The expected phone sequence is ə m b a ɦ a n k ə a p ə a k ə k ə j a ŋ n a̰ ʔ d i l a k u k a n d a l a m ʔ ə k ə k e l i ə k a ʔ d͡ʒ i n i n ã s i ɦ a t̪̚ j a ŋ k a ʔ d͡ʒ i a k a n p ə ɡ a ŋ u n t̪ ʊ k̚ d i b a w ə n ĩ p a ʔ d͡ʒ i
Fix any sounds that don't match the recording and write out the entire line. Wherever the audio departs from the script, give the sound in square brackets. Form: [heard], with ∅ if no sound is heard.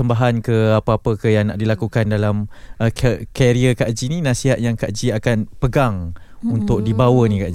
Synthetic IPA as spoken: ə m b a ɦ a n k ə a p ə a [p] ə k ə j a ŋ n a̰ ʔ d i l a k u k a n d a l a m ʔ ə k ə k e [ɾ] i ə k a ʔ d͡ʒ i n i n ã s i ɦ a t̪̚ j a ŋ k a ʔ d͡ʒ i a k a n p ə ɡ a ŋ u n t̪ ʊ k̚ d i b a w ə n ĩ [k] a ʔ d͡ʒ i